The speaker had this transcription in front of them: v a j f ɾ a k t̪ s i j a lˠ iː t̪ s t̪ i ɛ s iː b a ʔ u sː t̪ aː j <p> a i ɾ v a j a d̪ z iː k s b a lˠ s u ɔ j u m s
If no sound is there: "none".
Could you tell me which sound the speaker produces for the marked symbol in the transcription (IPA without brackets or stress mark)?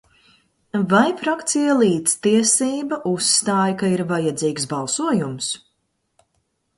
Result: k